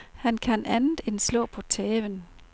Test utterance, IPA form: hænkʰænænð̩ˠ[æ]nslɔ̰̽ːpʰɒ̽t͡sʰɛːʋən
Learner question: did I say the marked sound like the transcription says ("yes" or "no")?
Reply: no